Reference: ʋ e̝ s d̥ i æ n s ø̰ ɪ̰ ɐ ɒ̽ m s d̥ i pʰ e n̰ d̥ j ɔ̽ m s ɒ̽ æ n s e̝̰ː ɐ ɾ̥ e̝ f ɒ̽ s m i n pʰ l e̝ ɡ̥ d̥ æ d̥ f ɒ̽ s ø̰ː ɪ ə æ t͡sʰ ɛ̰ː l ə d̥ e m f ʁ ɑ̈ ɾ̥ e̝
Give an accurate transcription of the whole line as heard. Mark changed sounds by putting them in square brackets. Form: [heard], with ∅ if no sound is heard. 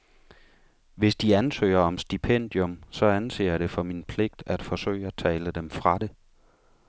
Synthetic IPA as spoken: ʋ e̝ s d̥ i æ n s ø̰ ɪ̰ ɐ ɒ̽ m s d̥ i pʰ e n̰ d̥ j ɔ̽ m s ɒ̽ æ n s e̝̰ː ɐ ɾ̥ e̝ f ɒ̽ [∅] m i n pʰ l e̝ ɡ̥ d̥ æ d̥ f ɒ̽ s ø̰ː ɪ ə æ t͡sʰ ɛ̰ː l ə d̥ e m f ʁ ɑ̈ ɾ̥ e̝

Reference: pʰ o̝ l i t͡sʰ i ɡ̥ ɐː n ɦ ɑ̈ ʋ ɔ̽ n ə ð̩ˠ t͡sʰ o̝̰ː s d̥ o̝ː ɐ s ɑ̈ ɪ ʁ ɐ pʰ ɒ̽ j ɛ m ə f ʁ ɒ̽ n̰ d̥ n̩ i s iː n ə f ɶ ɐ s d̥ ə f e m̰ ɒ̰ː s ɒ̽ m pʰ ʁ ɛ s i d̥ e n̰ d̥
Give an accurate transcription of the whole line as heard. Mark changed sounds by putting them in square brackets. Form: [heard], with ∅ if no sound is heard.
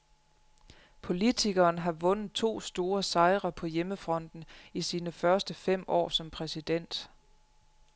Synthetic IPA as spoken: pʰ o̝ l i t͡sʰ i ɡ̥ ɐː n ɦ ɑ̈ ʋ ɔ̽ n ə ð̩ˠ t͡sʰ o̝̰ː s d̥ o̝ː ɐ s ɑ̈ ɪ ʁ ɐ pʰ ɒ̽ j [e] m ə f ʁ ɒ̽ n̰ d̥ n̩ i s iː n ə f ɶ ɐ s d̥ ə f e m̰ ɒ̰ː s ɒ̽ m pʰ ʁ ɛ s i d̥ e n̰ d̥

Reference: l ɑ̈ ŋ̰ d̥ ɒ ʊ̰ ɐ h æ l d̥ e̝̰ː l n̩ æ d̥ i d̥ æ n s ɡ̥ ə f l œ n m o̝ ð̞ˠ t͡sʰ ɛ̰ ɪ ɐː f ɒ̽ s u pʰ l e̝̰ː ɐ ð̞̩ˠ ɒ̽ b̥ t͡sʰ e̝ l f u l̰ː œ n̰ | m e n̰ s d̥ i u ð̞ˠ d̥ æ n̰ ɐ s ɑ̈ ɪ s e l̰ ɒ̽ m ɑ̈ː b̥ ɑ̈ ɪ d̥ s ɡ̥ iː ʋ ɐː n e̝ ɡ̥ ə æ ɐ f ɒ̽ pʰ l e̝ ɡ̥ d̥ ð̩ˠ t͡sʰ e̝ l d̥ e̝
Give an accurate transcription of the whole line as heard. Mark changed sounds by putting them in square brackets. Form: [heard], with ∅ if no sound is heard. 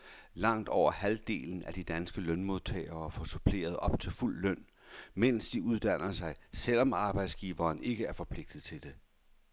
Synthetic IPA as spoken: l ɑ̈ ŋ̰ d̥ ɒ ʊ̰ ɐ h æ l d̥ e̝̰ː l n̩ æ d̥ i d̥ æ n s ɡ̥ ə [∅] l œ n m o̝ ð̞ˠ t͡sʰ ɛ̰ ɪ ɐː f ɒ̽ s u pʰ l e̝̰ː ɐ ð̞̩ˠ ɒ̽ b̥ t͡sʰ e̝ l f u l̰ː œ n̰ | m e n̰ s d̥ i u ð̞ˠ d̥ æ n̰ ɐ s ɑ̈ ɪ s e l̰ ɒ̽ m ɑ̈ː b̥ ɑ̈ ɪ d̥ s ɡ̥ iː ʋ ɐː n e̝ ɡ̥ ə æ ɐ f ɒ̽ pʰ l e̝ ɡ̥ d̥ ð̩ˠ t͡sʰ e̝ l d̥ e̝

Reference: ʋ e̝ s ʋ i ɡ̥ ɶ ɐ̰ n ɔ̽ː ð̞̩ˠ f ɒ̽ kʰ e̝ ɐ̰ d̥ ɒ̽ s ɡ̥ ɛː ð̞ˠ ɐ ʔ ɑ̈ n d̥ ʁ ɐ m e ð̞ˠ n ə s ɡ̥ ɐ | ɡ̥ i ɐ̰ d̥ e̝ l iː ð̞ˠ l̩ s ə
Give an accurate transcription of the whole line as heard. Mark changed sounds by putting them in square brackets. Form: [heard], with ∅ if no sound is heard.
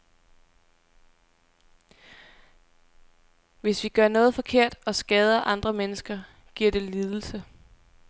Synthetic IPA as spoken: ʋ e̝ s ʋ i ɡ̥ ɶ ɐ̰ n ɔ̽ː ð̞̩ˠ f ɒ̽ kʰ e̝ ɐ̰ d̥ ɒ̽ s ɡ̥ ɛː ð̞ˠ ɐ ʔ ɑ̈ n d̥ ʁ ɐ m e [∅] n ə s ɡ̥ ɐ | ɡ̥ i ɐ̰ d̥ e̝ l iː ð̞ˠ l̩ s ə

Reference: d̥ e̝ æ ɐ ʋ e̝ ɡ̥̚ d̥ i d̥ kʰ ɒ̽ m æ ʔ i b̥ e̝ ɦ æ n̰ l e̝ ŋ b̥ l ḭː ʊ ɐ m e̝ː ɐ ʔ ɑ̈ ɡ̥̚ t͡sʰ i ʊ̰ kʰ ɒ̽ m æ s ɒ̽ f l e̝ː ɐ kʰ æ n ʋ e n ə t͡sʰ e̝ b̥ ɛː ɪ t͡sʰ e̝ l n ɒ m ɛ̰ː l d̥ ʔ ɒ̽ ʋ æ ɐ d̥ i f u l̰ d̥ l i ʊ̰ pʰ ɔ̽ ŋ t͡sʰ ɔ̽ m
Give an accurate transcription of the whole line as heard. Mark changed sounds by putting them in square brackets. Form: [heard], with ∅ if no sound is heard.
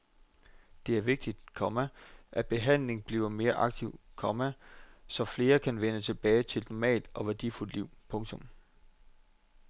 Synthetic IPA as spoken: d̥ e̝ æ ɐ ʋ e̝ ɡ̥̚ d̥ i d̥ kʰ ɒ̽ m æ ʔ [æ] b̥ e̝ ɦ æ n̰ l e̝ ŋ b̥ l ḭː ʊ ɐ m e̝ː ɐ ʔ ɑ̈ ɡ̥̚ t͡sʰ i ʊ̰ kʰ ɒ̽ m æ s ɒ̽ f l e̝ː ɐ kʰ æ n ʋ e n ə t͡sʰ e̝ b̥ ɛː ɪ t͡sʰ e̝ l n ɒ m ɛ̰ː l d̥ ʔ ɒ̽ ʋ æ ɐ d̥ i f u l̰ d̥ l i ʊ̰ pʰ ɔ̽ ŋ t͡sʰ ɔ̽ m

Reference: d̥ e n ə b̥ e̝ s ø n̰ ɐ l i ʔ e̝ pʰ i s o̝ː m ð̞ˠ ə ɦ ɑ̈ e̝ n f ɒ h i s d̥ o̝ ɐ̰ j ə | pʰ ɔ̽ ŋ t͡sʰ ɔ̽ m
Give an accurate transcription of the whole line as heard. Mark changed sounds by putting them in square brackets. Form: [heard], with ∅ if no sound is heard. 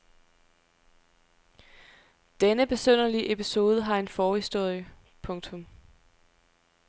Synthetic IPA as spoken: d̥ e n ə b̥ e̝ s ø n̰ ɐ l i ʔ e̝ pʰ i s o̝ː [∅] ð̞ˠ ə ɦ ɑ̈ e̝ n f [ɒː] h i s d̥ o̝ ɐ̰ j ə | pʰ ɔ̽ ŋ t͡sʰ ɔ̽ m

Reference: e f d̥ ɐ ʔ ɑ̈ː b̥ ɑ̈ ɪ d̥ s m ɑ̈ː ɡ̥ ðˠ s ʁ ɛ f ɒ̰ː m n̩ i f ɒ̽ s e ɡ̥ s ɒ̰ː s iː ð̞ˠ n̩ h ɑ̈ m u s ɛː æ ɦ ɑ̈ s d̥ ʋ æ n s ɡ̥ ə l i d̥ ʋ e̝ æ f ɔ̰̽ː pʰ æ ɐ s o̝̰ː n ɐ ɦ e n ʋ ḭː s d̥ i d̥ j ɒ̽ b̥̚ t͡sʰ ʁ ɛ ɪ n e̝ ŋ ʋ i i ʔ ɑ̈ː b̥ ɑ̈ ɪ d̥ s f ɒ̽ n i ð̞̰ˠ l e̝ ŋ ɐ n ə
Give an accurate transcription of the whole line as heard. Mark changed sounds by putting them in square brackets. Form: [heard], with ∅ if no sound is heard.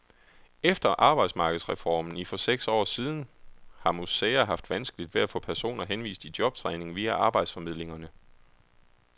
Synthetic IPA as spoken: e f d̥ ɐ ʔ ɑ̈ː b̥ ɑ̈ ɪ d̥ s m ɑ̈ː ɡ̥ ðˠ s ʁ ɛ f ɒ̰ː m n̩ i f ɒ̽ s e ɡ̥ s ɒ̰ː s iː ð̞ˠ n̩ h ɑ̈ m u s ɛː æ ɦ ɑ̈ [f] d̥ ʋ æ n s ɡ̥ ə l i d̥ ʋ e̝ æ f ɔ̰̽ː pʰ æ ɐ s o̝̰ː n ɐ ɦ e n ʋ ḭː s d̥ i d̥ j ɒ̽ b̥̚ t͡sʰ ʁ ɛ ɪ n e̝ ŋ ʋ i [æ] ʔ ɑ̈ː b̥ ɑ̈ ɪ d̥ s f ɒ̽ [m] i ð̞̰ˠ l e̝ ŋ ɐ n ə

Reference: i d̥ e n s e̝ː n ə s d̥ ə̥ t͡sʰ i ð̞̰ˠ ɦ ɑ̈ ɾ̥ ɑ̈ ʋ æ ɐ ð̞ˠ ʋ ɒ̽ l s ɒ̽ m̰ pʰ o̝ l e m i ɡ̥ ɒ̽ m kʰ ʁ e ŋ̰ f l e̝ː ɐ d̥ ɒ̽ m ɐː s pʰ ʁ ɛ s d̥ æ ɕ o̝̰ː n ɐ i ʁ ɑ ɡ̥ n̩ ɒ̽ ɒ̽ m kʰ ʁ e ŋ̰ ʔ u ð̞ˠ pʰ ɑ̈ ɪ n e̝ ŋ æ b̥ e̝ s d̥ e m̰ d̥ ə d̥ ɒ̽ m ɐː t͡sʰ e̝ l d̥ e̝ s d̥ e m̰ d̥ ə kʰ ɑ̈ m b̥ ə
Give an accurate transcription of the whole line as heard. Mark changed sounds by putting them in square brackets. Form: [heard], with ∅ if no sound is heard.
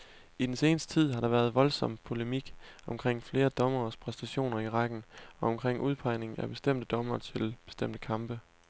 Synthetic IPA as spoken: i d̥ e n s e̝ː n ə s d̥ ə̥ t͡sʰ i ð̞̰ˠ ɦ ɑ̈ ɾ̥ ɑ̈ ʋ æ ɐ ð̞ˠ ʋ ɒ̽ l s ɒ̽ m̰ pʰ o̝ l e m i ɡ̥ ɒ̽ m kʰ ʁ e ŋ̰ f l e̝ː ɐ d̥ ɒ̽ m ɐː s pʰ ʁ ɛ s d̥ æ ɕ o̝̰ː n ɐ i ʁ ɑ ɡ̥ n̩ ɒ̽ ɒ̽ m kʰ ʁ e ŋ̰ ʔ u ð̞ˠ pʰ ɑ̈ ɪ n e̝ ŋ æ b̥ e̝ s d̥ e m̰ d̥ ə d̥ ɒ̽ m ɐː t͡sʰ e̝ l [b̥] e̝ s d̥ e m̰ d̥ ə kʰ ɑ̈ m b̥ ə

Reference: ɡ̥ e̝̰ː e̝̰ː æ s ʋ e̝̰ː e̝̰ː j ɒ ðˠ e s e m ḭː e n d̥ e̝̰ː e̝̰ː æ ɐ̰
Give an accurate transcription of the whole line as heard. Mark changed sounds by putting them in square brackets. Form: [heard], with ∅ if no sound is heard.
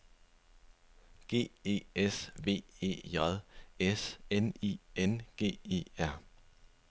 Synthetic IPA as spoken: ɡ̥ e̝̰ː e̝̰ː [e] s ʋ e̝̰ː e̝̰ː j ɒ ðˠ e s e [n] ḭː e n [ɡ̥] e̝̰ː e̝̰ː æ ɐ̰

